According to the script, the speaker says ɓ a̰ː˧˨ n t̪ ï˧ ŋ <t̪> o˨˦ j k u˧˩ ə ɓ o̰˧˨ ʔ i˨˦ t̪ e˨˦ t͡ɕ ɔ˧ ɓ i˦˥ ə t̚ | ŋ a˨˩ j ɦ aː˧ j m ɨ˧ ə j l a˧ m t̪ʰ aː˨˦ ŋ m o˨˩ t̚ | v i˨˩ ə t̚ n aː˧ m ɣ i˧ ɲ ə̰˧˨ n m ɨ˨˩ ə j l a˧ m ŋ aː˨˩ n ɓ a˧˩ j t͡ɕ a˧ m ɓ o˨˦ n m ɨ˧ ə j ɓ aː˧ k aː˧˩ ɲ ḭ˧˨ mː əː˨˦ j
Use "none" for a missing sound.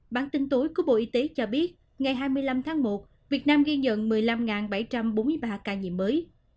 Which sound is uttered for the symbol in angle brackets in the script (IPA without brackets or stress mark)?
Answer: t̪